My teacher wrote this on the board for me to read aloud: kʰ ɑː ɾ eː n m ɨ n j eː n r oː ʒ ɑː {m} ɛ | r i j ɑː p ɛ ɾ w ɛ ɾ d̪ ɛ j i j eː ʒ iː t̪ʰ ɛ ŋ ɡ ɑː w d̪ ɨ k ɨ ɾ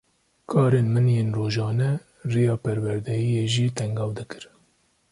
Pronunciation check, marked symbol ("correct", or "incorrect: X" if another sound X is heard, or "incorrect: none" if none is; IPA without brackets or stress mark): incorrect: n